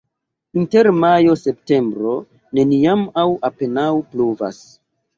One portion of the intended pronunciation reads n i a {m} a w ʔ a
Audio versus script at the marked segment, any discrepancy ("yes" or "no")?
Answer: no